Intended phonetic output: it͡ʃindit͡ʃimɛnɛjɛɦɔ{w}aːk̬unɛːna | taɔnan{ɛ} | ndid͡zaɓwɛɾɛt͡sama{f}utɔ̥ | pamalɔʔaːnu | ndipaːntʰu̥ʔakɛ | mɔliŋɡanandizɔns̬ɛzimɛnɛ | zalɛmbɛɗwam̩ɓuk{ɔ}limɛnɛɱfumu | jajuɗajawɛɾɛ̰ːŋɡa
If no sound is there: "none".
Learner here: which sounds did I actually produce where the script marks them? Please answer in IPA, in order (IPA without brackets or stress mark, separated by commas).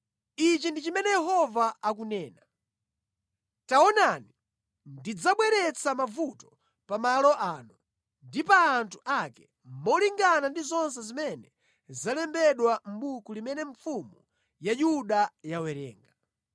v, i, v, u